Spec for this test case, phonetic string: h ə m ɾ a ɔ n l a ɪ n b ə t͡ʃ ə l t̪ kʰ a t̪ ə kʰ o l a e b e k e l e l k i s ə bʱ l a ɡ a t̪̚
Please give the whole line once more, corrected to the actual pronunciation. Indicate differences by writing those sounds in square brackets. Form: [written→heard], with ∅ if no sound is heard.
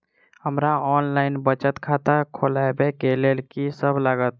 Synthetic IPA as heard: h ə m ɾ a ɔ n l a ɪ n b ə t͡ʃ ə [l→∅] t̪ kʰ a t̪ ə kʰ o l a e b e k e l e l k i s ə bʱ l a ɡ [a→ə] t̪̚